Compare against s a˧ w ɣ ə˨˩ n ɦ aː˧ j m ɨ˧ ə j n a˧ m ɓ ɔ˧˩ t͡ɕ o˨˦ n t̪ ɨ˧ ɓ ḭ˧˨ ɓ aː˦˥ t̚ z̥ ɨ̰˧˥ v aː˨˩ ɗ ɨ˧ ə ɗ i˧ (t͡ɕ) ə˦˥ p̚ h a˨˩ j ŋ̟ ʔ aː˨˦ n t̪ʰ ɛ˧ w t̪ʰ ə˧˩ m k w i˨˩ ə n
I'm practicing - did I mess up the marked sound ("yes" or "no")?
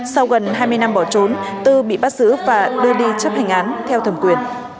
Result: no